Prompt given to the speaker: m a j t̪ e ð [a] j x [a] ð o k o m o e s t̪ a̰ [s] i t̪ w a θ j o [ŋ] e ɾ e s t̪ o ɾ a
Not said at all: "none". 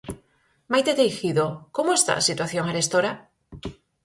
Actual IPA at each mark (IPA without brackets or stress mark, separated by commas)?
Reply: e, i, s, ŋ